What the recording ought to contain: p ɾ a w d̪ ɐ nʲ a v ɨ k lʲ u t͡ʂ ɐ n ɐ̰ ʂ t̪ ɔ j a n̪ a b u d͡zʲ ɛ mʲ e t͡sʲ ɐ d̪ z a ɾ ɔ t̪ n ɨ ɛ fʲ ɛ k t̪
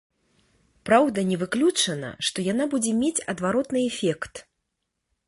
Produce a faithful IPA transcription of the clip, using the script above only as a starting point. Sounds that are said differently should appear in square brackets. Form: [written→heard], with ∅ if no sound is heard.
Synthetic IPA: p ɾ a w d̪ ɐ nʲ [a→ɛ] v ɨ k lʲ u t͡ʂ ɐ n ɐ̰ ʂ t̪ ɔ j a n̪ a b u d͡zʲ ɛ mʲ e t͡sʲ ɐ d̪ [z→v] a ɾ ɔ t̪ n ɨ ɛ fʲ ɛ k t̪